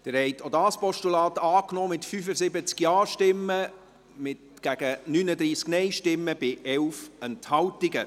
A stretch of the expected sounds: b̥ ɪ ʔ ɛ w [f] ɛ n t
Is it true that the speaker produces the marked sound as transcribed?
yes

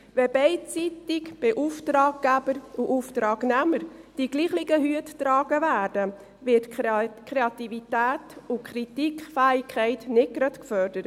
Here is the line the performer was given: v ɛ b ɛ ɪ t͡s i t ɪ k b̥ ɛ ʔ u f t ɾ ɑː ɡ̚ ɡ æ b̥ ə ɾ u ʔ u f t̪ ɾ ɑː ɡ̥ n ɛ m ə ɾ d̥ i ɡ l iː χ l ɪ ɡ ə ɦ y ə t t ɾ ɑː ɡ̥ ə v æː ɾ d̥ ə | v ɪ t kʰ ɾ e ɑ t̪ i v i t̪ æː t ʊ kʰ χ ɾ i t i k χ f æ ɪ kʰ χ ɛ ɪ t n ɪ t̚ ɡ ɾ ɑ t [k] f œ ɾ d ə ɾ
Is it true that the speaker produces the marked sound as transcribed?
yes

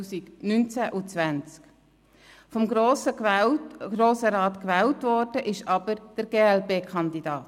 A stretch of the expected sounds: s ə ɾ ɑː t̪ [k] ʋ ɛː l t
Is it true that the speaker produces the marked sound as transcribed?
yes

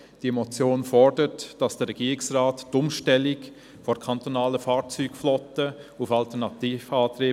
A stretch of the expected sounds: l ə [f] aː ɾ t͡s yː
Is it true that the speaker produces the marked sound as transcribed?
yes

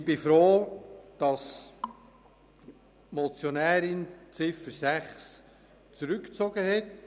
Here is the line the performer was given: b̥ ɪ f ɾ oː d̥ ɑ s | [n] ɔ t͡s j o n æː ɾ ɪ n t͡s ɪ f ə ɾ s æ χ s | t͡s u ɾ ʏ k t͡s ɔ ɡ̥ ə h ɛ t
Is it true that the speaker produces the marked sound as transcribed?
no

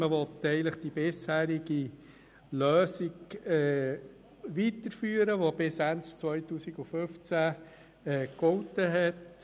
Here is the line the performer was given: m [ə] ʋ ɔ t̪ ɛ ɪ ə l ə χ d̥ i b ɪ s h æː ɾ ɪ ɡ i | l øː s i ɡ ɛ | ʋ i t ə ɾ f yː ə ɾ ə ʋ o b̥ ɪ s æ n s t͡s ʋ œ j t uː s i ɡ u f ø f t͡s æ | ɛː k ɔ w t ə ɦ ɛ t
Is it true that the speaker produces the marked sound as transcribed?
yes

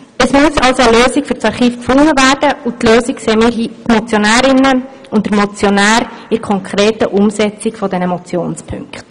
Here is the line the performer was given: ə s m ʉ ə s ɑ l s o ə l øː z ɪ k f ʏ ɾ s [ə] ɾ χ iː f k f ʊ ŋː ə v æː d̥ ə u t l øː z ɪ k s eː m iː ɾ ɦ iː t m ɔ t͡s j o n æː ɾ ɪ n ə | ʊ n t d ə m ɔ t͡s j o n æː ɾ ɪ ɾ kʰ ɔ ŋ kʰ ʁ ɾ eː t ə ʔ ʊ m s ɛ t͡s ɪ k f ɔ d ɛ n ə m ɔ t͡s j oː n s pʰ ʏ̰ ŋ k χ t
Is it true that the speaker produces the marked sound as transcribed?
no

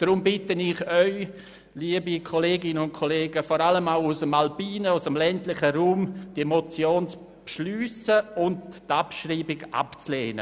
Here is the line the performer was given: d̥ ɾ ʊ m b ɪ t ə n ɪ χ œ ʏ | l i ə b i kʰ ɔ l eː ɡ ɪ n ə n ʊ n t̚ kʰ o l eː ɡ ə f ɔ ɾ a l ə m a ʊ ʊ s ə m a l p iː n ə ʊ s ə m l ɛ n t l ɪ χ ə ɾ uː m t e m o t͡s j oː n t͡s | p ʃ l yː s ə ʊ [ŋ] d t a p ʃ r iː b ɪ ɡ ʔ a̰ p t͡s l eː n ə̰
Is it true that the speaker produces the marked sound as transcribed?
no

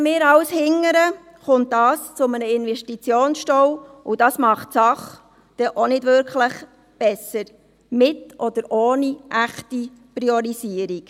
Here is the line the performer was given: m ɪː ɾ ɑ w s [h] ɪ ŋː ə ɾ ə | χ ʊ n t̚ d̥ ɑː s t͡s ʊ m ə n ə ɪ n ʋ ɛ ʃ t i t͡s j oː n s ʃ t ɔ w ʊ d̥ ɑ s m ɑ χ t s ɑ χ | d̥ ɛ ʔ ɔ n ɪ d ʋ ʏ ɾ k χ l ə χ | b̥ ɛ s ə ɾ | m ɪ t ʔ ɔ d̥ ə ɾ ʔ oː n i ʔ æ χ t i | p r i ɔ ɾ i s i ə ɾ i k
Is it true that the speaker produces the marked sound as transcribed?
yes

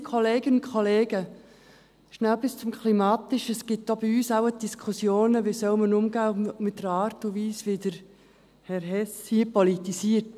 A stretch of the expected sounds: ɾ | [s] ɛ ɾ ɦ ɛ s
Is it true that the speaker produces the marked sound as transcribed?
no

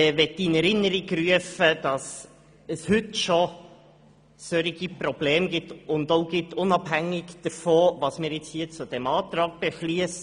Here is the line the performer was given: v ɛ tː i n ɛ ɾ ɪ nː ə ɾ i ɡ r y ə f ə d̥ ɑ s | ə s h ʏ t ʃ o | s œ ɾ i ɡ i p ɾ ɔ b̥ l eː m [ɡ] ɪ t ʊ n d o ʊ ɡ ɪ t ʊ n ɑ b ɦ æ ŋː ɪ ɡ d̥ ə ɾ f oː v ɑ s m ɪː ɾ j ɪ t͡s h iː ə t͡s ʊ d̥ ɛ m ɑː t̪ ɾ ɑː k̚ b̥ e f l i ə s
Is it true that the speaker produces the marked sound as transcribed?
yes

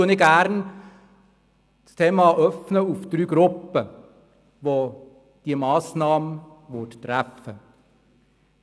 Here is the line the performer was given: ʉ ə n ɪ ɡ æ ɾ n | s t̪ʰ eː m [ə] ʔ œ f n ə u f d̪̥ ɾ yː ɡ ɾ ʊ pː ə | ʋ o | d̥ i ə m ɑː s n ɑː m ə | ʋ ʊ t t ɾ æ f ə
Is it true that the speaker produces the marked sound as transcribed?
no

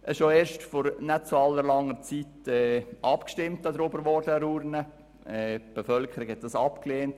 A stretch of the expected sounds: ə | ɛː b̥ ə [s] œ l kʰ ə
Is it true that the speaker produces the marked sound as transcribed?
no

